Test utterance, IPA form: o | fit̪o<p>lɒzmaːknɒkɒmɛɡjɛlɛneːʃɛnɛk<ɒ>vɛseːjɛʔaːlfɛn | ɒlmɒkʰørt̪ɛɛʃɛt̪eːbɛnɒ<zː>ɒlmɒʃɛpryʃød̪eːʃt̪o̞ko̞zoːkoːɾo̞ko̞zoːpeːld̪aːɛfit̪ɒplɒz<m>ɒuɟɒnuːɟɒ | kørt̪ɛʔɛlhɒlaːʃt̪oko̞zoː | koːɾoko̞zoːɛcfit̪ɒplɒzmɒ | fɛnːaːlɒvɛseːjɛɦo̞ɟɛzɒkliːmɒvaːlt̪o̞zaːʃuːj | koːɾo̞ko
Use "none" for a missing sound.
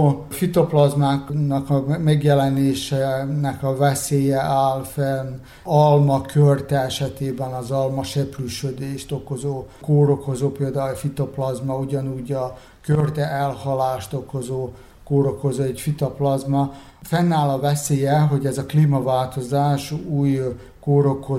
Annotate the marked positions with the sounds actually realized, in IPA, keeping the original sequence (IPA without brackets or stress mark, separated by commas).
p, ɒ, z, m